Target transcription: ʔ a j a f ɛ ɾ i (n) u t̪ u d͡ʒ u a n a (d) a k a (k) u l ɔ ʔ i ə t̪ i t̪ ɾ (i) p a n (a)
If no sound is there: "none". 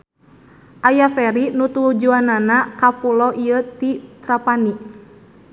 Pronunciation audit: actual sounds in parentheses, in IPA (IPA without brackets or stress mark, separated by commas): n, n, p, a, i